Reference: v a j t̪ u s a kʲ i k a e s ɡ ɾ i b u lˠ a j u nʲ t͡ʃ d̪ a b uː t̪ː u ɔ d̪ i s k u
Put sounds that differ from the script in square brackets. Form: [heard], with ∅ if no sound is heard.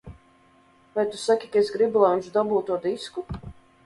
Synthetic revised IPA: v a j t̪ u s a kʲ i k a e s ɡ ɾ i b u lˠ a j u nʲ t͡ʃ d̪ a b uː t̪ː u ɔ d̪ i s k u